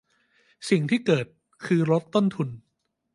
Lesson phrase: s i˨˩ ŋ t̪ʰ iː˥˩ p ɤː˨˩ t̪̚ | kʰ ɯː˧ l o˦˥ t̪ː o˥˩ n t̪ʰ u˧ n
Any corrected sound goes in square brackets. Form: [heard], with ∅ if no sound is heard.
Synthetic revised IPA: s i˨˩ ŋ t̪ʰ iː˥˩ [k] ɤː˨˩ t̪̚ | kʰ ɯː˧ [ɾ] o˦˥ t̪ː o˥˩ n t̪ʰ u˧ n